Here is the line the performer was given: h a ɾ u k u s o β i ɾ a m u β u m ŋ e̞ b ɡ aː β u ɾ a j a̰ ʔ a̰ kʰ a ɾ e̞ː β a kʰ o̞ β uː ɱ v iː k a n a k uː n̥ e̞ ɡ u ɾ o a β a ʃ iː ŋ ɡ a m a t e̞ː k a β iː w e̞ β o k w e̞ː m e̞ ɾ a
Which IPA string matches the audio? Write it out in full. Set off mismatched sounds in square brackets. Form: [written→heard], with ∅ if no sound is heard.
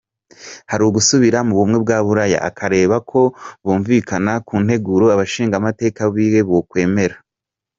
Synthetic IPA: h a ɾ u [k→ɡ] u s [o→u] β i ɾ a m u β u m ŋ e̞ b ɡ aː β u ɾ a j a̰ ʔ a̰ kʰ a ɾ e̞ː β a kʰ o̞ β uː ɱ v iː k a n a k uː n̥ e̞ ɡ u ɾ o a β a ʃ iː ŋ ɡ a m a t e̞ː k a β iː w e̞ β o k w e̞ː m e̞ ɾ a

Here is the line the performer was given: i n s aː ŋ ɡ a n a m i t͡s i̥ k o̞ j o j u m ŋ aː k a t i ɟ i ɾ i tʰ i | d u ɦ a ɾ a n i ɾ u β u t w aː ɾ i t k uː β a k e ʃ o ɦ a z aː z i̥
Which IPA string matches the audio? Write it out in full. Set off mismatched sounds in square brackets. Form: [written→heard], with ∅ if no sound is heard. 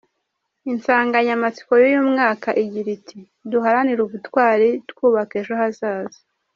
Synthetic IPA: i n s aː ŋ ɡ a [n→ɲ] a m [i→a] t͡s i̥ k o̞ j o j u m ŋ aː k a [t→ʔ] i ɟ i ɾ i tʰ i | d u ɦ a ɾ a n i ɾ u β u t w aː ɾ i t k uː β a k e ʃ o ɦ a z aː z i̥

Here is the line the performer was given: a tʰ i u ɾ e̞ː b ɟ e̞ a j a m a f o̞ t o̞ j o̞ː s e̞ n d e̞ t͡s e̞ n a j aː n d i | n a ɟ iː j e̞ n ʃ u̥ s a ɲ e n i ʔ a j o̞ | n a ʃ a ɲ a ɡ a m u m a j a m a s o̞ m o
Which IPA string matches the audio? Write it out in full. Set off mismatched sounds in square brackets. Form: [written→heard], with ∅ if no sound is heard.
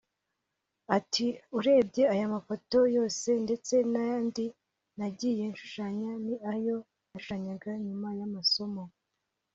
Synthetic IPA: a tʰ i u ɾ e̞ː b ɟ e̞ a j a m a f o̞ t o̞ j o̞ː s e̞ n d e̞ t͡s e̞ n a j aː n d i | n a ɟ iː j e̞ n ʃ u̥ [s→ʃ] a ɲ [e→a] n i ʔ a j o̞ | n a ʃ a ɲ a ɡ a [m→ɲ] u m a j a m a s o̞ m o

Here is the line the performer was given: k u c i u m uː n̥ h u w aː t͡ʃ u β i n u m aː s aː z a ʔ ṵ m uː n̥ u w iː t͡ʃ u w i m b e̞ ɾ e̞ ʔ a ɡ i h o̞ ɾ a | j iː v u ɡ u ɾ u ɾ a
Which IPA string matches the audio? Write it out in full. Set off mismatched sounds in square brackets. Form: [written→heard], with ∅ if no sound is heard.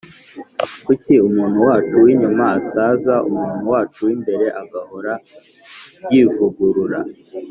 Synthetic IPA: k u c i u m uː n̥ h u w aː t͡ʃ u [β→w] i [n→ɲ] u m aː s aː z a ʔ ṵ m uː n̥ u w [iː→aː] t͡ʃ u w i m b e̞ ɾ e̞ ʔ a ɡ [i→a] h o̞ ɾ a | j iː v u ɡ u ɾ u ɾ a

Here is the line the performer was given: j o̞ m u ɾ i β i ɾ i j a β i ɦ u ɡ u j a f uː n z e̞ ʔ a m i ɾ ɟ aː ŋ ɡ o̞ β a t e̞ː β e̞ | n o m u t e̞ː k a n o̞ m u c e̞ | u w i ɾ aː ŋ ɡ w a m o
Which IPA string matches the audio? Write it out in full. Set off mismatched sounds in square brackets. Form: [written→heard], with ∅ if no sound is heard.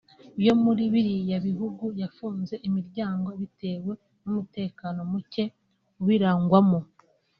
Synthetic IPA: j o̞ m u ɾ i β i ɾ i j a β i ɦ u ɡ u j a f uː n z e̞ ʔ [a→i] m i ɾ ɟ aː ŋ ɡ o̞ β [a→i] t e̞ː [β→w] e̞ | n [o→u] m u t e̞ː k a n o̞ m u c e̞ | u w i ɾ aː ŋ ɡ w a m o

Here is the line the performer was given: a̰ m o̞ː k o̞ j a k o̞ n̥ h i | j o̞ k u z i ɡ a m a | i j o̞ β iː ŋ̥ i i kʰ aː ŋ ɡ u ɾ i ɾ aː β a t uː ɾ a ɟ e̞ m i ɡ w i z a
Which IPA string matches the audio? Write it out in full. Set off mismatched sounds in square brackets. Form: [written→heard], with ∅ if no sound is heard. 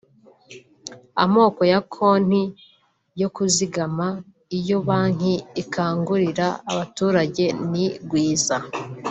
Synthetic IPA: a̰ m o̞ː k o̞ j a [k→kʰ] o̞ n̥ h i | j o̞ k u z i ɡ a m a | i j o̞ β [iː→aː] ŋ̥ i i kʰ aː ŋ ɡ u ɾ i ɾ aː β a t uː ɾ a ɟ e̞ [m→n] i ɡ w [i→iː] z a

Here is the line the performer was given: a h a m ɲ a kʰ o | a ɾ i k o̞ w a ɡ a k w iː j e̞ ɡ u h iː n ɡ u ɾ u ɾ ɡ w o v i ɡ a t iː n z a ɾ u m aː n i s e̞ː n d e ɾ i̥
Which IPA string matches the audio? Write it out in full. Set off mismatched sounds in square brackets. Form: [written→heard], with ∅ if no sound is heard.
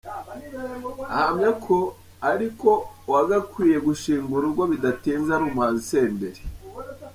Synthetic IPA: a h a m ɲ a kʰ o | a ɾ i k o̞ w a ɡ a k w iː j e̞ ɡ u [h→ʃ] iː [n→ŋ] ɡ u ɾ u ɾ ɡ w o [v→β] i [ɡ→d] a t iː n z a ɾ u m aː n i s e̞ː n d e ɾ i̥

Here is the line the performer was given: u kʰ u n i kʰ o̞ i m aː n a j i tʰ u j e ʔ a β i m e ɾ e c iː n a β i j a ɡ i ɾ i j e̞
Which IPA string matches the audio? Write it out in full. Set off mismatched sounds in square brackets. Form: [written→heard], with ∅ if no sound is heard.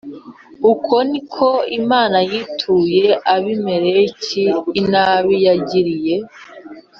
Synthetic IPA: u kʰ [u→o] n i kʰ o̞ i m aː n a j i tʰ u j e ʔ a β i m e ɾ e c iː n a β i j a [ɡ→ɟ] i ɾ i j e̞

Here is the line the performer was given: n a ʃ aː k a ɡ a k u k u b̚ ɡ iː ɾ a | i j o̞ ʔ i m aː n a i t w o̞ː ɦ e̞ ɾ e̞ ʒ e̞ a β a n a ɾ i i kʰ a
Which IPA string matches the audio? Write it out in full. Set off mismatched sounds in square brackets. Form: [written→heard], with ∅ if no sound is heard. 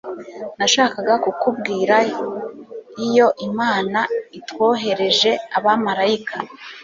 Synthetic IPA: n a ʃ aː k a ɡ a k u k u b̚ ɡ iː ɾ a | i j o̞ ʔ i m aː n a i t w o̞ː ɦ e̞ ɾ e̞ ʒ e̞ a β a [n→m] a ɾ [i→a] i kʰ a

